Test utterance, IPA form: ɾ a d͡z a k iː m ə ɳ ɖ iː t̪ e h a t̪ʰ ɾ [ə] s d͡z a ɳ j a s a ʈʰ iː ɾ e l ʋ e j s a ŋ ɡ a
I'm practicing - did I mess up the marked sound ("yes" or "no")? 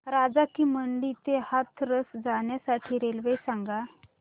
no